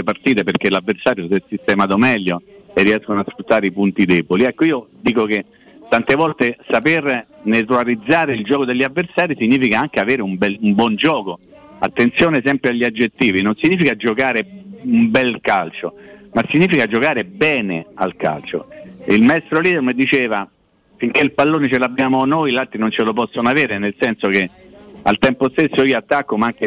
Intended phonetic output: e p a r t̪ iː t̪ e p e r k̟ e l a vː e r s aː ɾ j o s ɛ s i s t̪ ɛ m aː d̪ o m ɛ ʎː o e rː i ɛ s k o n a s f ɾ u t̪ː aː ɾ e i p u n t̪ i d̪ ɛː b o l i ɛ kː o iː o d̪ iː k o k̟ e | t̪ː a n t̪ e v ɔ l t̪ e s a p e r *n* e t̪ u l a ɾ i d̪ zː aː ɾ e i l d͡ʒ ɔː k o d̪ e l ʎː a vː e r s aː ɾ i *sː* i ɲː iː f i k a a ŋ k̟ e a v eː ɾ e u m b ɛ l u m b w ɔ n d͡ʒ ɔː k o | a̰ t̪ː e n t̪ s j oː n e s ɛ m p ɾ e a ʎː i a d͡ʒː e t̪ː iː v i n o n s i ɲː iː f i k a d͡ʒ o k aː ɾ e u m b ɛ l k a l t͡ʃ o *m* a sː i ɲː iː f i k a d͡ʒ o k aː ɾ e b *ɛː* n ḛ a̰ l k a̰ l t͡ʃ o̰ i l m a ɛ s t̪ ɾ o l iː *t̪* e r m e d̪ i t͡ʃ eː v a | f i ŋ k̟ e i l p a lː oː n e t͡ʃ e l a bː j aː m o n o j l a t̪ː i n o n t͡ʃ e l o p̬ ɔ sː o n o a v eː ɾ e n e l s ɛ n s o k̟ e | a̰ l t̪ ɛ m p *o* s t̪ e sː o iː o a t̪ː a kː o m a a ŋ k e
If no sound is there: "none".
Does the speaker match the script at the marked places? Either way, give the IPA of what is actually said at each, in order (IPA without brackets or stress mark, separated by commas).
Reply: n, s, m, ɛː, d̪, o